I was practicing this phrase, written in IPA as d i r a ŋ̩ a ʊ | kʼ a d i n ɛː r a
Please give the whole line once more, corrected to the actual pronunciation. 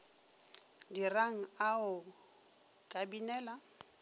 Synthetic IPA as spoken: d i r a ŋ̩ a ʊ | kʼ a b i n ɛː l a